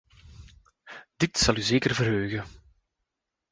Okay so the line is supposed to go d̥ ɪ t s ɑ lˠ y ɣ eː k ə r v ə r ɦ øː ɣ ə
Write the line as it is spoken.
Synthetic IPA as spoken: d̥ ɪ t s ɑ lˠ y z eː k ə r v ə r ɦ øː ɣ ə